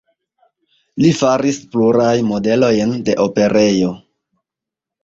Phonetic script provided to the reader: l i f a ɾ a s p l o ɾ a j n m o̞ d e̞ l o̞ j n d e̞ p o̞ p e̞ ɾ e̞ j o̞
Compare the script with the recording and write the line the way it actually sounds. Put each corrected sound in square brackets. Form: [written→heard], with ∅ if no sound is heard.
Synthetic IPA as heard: l i f a ɾ [a→i] s p l [o→u] ɾ a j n m o̞ d e̞ l o̞ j n d e̞ [p→ʔ] o̞ p e̞ ɾ e̞ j o̞